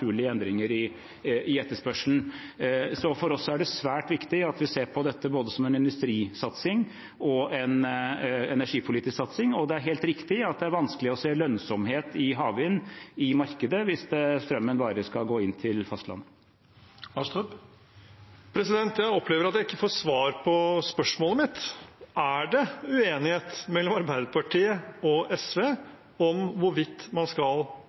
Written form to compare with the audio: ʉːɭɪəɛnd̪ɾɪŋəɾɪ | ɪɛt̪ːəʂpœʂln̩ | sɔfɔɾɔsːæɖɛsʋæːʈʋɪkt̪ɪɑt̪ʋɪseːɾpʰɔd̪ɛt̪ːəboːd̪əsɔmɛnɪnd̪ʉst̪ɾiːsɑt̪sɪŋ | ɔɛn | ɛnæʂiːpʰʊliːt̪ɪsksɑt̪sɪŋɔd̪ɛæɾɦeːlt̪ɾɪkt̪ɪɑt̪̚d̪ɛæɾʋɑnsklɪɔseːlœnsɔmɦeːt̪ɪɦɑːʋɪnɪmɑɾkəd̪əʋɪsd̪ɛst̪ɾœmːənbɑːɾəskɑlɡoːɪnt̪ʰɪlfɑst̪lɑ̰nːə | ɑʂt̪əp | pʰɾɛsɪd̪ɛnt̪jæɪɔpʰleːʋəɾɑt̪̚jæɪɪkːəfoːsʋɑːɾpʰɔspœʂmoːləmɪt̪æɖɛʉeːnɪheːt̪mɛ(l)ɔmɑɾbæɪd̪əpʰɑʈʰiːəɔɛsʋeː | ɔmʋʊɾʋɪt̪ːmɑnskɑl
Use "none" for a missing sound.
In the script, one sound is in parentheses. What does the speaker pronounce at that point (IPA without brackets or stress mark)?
lː